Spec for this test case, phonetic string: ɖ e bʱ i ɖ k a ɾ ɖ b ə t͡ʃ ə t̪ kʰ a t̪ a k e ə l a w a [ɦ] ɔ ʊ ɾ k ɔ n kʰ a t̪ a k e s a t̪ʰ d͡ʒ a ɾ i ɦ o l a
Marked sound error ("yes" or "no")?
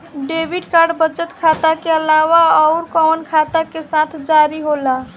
yes